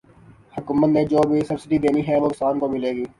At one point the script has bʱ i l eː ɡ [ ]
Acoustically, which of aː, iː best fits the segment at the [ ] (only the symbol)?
iː